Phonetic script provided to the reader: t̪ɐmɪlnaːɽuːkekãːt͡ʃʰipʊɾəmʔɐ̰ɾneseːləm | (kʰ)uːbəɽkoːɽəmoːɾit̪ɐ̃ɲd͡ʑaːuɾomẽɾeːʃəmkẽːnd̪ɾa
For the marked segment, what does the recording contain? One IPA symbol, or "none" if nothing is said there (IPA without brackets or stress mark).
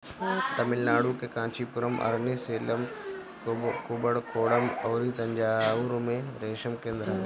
k